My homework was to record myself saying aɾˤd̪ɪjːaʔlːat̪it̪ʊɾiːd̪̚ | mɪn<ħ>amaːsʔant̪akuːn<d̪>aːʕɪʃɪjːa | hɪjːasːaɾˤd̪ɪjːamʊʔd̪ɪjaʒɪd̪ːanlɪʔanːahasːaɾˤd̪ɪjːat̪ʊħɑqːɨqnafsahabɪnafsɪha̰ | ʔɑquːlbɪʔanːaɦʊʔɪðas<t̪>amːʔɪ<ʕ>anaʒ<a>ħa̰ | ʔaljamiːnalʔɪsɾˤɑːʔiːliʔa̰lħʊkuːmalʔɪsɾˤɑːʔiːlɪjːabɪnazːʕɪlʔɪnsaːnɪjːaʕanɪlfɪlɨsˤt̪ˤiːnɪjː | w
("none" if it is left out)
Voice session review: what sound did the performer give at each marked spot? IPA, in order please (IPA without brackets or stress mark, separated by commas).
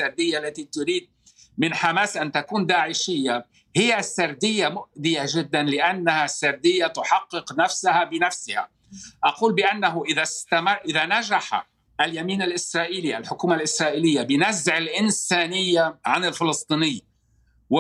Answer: ħ, d̪, t̪, ð, a